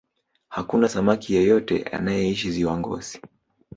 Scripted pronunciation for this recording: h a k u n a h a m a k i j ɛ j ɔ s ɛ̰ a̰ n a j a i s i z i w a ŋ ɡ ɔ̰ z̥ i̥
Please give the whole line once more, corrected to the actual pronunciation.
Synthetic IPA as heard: h a k u n a s a m a k i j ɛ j ɔ t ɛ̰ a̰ n a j ɛ i ʃ i z i w a ŋ ɡ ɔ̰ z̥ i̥